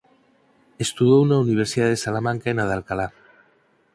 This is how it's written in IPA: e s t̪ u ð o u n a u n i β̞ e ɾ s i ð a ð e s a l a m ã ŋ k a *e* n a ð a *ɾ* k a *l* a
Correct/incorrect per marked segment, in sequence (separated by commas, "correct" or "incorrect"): correct, incorrect, correct